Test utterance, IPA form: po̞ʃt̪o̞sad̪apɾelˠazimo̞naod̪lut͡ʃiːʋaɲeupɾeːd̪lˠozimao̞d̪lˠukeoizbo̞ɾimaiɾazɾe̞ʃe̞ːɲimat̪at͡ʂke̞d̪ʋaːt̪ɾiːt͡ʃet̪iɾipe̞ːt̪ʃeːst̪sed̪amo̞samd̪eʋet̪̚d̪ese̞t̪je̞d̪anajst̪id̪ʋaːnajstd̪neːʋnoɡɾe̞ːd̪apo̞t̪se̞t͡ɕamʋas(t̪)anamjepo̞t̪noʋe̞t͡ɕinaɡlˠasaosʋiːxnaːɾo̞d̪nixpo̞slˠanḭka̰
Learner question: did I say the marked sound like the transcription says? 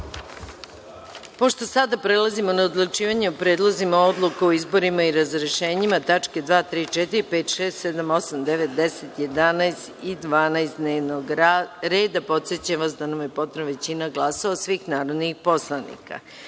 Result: no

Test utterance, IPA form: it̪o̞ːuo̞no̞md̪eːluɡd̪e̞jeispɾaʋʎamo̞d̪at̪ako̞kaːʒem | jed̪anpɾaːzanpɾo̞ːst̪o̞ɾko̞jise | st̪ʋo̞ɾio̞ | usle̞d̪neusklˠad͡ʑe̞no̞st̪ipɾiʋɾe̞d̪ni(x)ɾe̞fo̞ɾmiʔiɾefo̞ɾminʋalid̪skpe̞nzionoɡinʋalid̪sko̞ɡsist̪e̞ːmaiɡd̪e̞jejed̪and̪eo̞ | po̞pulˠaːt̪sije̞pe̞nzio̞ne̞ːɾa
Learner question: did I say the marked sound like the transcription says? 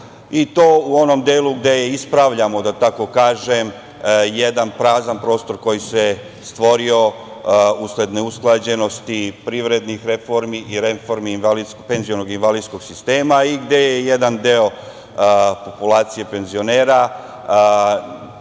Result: yes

